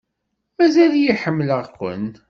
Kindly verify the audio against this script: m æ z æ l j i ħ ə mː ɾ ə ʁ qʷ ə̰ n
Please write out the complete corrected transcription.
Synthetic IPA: m æ z æ l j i ħ ə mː l ə ʁ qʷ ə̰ n